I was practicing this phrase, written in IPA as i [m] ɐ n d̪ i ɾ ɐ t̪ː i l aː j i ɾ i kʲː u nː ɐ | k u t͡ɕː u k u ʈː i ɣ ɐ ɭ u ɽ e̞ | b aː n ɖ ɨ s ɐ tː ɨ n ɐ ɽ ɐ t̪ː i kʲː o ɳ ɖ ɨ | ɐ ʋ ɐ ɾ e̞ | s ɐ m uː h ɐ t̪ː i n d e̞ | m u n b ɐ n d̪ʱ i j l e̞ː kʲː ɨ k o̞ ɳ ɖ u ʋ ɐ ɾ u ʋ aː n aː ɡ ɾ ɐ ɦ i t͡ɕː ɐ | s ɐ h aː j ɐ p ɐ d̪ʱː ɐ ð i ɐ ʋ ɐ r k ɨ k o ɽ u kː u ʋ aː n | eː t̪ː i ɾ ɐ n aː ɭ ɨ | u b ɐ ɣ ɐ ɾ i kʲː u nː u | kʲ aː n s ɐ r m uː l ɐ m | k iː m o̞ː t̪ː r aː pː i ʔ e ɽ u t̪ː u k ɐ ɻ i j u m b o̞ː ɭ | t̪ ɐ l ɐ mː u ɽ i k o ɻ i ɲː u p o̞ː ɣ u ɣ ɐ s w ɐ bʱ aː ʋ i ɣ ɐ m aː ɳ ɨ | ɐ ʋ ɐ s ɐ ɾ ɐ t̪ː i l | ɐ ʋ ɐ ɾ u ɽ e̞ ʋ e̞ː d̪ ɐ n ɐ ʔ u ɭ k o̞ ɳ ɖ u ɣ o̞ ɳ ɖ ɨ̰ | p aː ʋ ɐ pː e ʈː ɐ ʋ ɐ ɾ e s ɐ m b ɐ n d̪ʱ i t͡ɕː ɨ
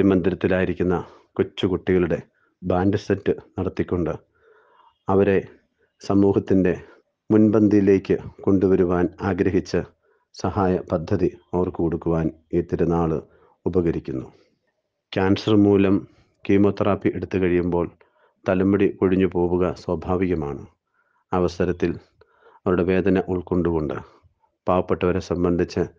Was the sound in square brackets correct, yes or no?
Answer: yes